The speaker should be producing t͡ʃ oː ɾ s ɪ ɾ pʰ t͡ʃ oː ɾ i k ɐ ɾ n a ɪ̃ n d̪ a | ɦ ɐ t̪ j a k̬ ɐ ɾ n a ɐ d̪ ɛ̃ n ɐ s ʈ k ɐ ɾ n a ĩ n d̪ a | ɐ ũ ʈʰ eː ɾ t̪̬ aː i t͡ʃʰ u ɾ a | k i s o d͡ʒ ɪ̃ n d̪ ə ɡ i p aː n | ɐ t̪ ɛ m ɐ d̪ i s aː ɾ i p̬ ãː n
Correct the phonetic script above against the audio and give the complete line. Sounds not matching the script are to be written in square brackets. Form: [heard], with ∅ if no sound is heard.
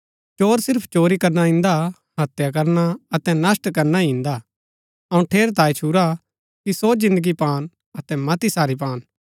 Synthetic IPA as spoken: t͡ʃ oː ɾ s ɪ ɾ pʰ t͡ʃ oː ɾ i k ɐ ɾ n a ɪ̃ n d̪ a | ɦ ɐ t̪ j a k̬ ɐ ɾ n a ɐ [t̪] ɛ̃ n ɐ s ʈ k ɐ ɾ n a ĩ n d̪ a | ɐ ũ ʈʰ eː ɾ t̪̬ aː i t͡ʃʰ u ɾ a | k i s o d͡ʒ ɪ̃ n d̪ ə ɡ i p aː n | ɐ t̪ ɛ m ɐ [t̪] i s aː ɾ i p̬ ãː n